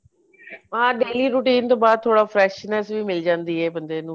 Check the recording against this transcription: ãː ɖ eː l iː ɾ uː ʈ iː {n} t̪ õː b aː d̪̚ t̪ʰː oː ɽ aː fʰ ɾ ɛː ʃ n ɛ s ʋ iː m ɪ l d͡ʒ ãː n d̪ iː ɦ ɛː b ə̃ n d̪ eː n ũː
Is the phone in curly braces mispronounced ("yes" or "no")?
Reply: no